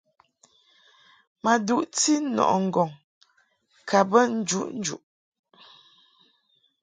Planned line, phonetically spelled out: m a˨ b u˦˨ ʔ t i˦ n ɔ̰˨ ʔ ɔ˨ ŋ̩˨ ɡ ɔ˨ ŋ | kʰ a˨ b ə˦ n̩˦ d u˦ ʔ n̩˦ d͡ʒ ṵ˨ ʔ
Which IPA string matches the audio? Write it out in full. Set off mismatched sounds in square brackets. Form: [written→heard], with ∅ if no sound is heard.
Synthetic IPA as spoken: m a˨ [b→d] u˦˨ ʔ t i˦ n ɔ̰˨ ʔ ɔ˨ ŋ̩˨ ɡ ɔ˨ ŋ | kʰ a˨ b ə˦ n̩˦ [d→d͡ʒ] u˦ ʔ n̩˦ d͡ʒ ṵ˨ ʔ